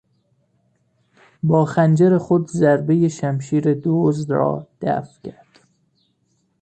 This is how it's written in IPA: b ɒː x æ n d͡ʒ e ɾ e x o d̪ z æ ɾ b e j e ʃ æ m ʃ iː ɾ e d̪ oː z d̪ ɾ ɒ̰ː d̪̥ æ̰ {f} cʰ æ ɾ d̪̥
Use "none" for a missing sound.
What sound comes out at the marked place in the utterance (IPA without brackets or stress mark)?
f